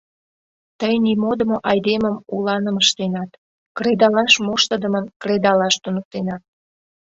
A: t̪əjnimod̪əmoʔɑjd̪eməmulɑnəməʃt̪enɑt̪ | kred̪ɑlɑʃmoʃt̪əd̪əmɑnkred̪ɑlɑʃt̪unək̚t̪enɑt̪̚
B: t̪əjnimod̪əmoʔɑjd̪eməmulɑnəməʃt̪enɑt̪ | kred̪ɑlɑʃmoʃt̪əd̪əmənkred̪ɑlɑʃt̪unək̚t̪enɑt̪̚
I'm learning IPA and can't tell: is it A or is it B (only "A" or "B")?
B